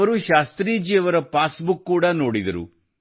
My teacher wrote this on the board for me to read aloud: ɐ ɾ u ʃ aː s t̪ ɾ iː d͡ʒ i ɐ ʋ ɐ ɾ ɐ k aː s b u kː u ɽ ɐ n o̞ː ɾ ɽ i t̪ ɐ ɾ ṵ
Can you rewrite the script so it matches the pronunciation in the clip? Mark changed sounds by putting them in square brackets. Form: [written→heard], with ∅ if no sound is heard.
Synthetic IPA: ɐ ɾ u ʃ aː s t̪ ɾ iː d͡ʒ i ɐ ʋ ɐ ɾ ɐ [k→p] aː s b u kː [u→uː] ɽ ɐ n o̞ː [ɾ→∅] ɽ i [t̪→d̪] ɐ ɾ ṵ

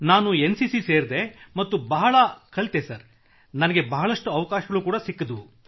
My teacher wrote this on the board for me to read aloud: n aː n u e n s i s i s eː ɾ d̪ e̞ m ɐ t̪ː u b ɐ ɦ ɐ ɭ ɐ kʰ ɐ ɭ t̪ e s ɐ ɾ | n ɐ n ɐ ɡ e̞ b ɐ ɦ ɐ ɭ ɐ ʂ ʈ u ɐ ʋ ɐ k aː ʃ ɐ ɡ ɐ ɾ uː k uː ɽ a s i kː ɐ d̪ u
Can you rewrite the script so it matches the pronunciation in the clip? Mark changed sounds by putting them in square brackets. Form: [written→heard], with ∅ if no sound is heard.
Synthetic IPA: n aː n u e n s i s i s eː ɾ d̪ e̞ m ɐ t̪ː u b ɐ ɦ ɐ ɭ ɐ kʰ ɐ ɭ t̪ e s ɐ ɾ | n ɐ n ɐ ɡ e̞ b ɐ ɦ ɐ ɭ ɐ ʂ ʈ u ɐ ʋ ɐ k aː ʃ ɐ ɡ ɐ [ɾ→ɭ] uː k uː ɽ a s i kː ɐ d̪ u

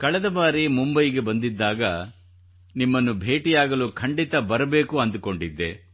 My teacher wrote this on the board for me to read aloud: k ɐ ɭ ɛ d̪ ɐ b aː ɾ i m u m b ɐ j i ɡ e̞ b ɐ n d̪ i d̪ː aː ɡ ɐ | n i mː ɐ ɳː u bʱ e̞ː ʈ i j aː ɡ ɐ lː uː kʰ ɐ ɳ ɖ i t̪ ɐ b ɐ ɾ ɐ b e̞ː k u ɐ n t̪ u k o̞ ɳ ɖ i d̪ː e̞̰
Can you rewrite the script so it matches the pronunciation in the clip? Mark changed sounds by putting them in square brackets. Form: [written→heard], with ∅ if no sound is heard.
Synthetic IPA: k ɐ ɭ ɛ d̪ ɐ b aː ɾ i m u m b ɐ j i ɡ e̞ b ɐ n d̪ i d̪ː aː ɡ ɐ | n i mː ɐ [ɳː→nː] u bʱ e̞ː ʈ i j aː ɡ ɐ [lː→l] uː kʰ ɐ ɳ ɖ i t̪ ɐ b ɐ ɾ ɐ b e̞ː k u ɐ n [t̪→d̪] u k o̞ ɳ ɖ i d̪ː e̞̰

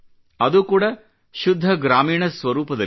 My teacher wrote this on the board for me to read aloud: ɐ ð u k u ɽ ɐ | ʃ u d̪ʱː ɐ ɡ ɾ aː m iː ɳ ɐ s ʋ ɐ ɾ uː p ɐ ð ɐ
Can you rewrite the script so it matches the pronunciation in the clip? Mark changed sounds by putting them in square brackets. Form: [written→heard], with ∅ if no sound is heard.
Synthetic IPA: ɐ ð u k [u→uː] ɽ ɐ | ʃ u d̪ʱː ɐ ɡ ɾ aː m iː ɳ ɐ s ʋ ɐ ɾ uː p ɐ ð ɐ

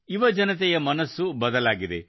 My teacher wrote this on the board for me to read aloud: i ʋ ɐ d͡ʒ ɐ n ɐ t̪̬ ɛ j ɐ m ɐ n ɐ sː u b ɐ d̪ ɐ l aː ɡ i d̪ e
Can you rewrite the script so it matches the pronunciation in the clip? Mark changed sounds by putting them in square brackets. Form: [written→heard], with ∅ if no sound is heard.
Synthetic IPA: i ʋ ɐ d͡ʒ ɐ n ɐ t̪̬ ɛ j ɐ m ɐ n ɐ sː u b ɐ d̪ ɐ l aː ɡ i d̪ e

